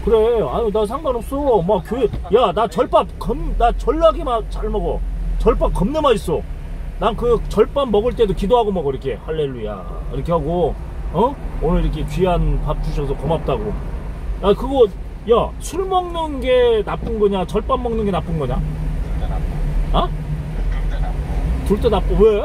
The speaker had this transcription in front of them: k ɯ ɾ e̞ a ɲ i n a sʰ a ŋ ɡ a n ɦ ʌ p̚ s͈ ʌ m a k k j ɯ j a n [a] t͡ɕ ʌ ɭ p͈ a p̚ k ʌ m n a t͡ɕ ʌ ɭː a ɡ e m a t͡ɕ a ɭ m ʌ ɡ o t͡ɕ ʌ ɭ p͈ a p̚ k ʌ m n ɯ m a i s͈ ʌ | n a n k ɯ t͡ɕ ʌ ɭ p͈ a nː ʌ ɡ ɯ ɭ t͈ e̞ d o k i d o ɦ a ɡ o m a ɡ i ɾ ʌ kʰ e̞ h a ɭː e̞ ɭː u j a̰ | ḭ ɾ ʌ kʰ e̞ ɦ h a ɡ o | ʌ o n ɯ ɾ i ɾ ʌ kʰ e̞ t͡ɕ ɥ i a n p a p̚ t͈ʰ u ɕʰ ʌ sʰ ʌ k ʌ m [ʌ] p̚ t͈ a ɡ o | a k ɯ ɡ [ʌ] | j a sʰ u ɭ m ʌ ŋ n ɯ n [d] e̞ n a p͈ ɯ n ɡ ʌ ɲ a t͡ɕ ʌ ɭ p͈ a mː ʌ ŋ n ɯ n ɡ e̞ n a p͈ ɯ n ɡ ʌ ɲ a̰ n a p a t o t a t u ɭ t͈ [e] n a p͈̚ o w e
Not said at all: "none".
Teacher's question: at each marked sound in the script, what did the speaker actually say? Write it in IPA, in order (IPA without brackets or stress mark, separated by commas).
a, a, ʌ, ɡ, e